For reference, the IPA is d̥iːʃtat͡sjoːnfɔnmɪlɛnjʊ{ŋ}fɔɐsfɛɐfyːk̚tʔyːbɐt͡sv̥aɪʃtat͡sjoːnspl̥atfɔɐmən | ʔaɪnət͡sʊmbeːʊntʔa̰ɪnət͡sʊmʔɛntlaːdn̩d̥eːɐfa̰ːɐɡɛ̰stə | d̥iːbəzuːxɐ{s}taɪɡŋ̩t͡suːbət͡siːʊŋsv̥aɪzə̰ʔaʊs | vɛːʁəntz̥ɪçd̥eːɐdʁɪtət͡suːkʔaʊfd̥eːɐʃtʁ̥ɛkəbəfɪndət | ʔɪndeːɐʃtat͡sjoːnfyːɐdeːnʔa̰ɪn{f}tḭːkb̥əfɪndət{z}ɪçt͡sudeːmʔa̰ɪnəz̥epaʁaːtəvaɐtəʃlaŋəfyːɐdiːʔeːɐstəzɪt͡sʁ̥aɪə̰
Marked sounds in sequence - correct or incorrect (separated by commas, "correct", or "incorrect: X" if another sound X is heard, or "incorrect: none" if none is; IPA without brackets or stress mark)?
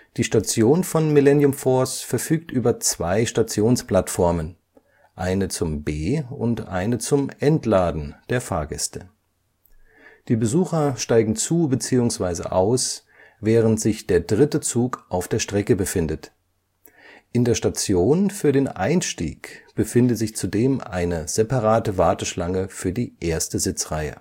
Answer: incorrect: m, incorrect: ʃ, incorrect: ʃ, correct